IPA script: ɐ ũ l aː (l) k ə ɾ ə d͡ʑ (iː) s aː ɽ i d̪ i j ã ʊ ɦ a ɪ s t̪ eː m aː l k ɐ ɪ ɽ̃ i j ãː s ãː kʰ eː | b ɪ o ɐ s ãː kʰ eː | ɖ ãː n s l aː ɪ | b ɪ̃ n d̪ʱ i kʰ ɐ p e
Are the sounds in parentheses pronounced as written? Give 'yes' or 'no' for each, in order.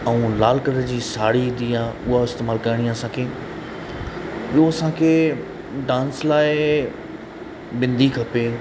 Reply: yes, yes

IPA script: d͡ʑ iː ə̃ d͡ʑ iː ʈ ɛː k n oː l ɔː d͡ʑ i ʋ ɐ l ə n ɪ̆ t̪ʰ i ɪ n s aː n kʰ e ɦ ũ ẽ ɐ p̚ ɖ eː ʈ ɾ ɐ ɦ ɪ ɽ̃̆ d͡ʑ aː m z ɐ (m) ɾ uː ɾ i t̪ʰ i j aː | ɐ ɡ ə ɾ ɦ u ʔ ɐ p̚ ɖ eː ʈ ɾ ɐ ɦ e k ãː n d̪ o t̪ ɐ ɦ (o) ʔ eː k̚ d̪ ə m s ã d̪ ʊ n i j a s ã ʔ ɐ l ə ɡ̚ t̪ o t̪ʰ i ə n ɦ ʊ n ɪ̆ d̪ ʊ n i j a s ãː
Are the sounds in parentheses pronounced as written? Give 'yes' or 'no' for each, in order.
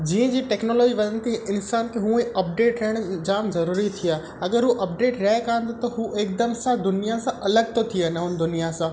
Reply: no, no

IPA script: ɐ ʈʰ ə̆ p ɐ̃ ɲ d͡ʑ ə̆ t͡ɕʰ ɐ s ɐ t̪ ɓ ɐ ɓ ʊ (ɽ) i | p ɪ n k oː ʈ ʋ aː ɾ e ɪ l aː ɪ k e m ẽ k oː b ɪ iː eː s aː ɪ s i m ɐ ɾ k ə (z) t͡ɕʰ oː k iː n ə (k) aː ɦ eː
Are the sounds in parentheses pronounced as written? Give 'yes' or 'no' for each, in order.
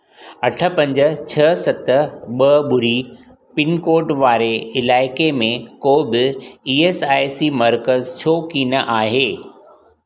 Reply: no, yes, no

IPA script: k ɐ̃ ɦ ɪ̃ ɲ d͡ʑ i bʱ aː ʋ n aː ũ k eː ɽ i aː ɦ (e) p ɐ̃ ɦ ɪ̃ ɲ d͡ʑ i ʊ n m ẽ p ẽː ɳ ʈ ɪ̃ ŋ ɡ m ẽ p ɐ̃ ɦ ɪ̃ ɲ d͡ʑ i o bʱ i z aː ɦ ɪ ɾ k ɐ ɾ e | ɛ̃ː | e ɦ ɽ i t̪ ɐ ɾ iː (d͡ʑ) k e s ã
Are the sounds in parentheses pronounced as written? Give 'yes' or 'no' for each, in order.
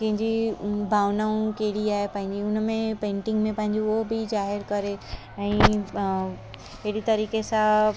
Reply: yes, no

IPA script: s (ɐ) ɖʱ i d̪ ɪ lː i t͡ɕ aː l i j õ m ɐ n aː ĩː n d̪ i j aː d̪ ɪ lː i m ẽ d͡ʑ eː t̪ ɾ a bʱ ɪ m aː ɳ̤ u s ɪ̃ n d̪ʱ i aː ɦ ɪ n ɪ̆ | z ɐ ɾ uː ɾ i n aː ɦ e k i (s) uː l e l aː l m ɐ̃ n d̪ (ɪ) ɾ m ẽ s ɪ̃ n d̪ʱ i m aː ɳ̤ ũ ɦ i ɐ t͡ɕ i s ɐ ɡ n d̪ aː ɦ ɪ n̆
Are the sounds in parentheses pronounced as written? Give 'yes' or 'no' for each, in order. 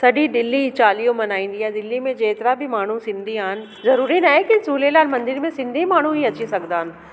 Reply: yes, yes, yes

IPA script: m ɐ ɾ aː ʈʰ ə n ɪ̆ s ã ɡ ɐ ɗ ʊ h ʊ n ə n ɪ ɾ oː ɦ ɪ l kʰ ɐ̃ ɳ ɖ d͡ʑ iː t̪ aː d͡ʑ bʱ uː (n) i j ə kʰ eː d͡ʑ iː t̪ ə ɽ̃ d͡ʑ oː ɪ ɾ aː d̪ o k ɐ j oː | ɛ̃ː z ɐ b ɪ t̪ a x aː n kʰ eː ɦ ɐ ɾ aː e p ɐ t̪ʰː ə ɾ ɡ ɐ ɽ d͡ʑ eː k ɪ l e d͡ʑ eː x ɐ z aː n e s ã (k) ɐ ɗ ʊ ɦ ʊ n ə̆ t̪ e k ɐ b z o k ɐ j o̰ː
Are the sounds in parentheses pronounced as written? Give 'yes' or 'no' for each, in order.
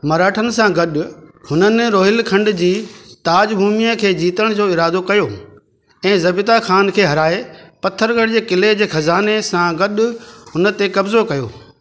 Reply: no, no

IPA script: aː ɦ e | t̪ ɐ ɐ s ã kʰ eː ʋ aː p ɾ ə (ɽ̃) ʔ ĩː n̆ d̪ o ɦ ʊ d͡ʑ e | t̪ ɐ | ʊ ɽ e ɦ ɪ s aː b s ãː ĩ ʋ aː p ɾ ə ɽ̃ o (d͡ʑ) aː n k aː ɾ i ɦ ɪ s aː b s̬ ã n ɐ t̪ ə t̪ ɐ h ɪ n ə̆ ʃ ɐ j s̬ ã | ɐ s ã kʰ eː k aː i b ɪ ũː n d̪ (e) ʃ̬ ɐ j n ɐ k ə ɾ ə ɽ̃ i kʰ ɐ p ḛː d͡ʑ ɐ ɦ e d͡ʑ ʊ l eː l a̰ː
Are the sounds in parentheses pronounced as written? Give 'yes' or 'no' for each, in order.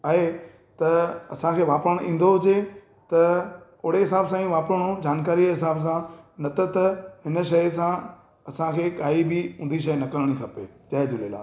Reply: yes, yes, no

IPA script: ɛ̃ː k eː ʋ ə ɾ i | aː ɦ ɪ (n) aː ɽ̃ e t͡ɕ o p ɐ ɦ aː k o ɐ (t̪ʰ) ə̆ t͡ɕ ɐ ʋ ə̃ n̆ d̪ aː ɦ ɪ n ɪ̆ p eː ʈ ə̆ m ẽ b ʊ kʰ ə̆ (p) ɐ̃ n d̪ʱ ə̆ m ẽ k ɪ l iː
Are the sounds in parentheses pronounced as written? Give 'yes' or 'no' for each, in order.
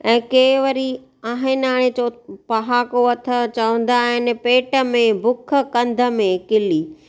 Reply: yes, yes, no

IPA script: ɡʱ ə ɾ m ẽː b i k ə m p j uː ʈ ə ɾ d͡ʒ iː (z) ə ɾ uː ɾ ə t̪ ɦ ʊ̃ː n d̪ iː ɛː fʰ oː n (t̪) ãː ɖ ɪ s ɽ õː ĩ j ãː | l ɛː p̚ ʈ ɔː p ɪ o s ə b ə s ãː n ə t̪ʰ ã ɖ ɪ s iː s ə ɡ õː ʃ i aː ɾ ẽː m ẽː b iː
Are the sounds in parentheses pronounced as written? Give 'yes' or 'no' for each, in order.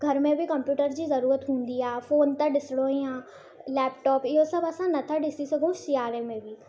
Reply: yes, yes

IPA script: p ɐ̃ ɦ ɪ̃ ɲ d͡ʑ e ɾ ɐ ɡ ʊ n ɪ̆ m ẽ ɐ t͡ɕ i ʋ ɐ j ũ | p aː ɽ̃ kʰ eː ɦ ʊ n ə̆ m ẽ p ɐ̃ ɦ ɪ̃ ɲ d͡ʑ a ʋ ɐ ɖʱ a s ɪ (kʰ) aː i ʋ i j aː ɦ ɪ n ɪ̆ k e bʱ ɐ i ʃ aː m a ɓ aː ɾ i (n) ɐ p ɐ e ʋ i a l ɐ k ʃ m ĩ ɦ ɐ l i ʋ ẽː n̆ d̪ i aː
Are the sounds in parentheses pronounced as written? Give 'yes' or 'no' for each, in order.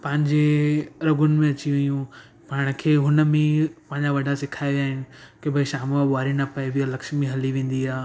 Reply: yes, yes

